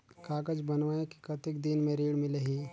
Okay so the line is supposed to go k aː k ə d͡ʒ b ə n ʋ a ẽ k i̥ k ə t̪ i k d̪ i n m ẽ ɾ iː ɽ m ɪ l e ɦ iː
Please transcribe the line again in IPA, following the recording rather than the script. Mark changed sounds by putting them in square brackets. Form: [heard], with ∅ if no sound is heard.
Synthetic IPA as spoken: k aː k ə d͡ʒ b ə n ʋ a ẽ k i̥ k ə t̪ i k d̪ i n m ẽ ɾ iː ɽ m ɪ l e ɦ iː